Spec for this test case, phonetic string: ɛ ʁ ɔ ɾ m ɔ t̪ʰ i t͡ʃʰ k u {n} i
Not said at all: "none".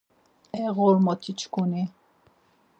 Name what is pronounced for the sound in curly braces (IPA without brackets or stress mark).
n